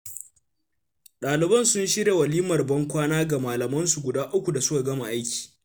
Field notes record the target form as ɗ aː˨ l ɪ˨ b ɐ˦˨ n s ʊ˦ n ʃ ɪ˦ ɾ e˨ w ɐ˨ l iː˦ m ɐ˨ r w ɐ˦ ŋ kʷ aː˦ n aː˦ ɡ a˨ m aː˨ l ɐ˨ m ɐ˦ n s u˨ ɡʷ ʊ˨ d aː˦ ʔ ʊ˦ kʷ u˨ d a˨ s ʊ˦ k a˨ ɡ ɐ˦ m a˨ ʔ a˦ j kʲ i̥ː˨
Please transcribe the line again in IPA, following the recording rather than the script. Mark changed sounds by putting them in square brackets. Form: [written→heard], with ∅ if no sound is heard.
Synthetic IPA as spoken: ɗ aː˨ l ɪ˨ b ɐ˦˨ n s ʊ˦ n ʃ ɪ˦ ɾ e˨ w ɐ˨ l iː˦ m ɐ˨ r [w→b] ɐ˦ ŋ kʷ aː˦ n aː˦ ɡ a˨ m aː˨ l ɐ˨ m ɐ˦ n s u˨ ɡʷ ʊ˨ d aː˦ ʔ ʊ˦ kʷ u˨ d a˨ s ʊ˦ k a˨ ɡ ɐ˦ m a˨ ʔ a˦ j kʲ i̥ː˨